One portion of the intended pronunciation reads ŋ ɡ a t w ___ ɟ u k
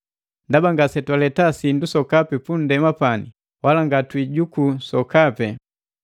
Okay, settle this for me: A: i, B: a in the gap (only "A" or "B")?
A